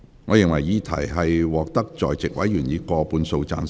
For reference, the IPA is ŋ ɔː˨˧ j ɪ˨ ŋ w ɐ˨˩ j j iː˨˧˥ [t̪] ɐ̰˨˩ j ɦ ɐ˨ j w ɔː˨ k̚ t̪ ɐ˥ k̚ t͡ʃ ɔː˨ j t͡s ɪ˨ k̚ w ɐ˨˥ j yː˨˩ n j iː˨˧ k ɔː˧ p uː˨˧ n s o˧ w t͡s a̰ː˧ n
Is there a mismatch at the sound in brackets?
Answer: yes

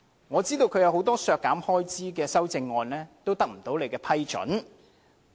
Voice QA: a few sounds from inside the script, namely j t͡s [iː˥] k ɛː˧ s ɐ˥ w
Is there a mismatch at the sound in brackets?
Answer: no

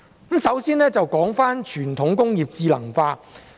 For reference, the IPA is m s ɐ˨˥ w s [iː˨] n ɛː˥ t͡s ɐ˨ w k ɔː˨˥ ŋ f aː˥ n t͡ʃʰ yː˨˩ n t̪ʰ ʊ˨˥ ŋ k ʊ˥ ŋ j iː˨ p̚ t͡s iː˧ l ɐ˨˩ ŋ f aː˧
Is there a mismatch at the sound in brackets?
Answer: yes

